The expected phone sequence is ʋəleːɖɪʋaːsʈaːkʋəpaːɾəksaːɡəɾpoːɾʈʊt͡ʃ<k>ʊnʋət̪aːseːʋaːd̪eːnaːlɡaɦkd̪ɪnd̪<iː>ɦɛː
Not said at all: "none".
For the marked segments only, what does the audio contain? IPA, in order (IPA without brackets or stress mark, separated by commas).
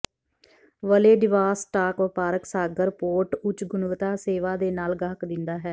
ɡ, aː